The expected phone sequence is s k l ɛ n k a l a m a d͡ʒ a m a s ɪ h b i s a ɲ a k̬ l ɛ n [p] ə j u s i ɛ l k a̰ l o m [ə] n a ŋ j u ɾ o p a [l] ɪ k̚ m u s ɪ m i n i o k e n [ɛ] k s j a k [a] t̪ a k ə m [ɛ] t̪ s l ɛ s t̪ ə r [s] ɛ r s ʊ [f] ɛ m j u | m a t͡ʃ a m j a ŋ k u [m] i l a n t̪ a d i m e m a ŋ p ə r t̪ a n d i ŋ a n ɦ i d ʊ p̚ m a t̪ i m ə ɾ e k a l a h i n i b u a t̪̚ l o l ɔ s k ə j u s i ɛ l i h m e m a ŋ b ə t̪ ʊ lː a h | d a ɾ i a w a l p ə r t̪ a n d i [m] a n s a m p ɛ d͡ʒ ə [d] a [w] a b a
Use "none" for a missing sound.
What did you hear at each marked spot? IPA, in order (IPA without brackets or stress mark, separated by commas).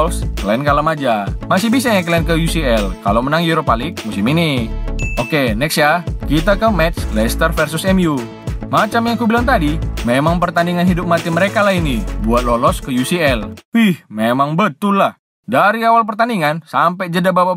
k, ə, l, ɛ, i, ɛ, f, s, b, ŋ, d, b